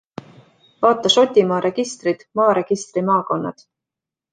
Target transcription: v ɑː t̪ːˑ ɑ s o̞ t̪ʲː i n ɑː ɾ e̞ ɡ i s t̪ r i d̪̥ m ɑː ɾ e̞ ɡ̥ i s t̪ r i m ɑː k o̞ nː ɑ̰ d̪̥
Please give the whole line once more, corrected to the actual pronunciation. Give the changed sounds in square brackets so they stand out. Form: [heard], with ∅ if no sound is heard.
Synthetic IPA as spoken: v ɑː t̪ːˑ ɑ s o̞ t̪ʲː i [m] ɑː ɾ e̞ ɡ i s t̪ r i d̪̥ m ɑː ɾ e̞ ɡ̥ i s t̪ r i m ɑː k o̞ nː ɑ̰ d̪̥